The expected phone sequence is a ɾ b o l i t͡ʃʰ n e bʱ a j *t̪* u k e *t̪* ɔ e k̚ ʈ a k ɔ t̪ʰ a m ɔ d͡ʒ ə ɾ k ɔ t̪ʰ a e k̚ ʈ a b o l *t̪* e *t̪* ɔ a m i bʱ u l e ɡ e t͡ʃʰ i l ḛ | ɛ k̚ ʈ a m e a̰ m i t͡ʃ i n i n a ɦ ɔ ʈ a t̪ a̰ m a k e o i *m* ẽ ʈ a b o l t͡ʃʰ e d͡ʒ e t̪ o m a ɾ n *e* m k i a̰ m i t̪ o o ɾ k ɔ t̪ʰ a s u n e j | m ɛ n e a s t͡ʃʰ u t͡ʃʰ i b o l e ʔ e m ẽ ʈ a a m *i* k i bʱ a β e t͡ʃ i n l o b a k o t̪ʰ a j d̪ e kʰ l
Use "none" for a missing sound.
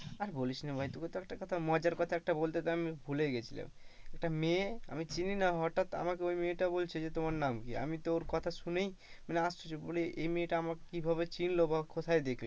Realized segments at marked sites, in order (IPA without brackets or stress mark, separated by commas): t̪, t̪, t̪, t̪, m, a, a